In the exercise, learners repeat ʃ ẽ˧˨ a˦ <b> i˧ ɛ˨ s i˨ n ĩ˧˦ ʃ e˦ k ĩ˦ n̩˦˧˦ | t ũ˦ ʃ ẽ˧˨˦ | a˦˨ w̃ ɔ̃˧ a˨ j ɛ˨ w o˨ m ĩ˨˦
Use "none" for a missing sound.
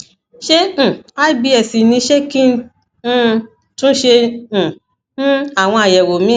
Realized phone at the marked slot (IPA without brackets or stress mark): b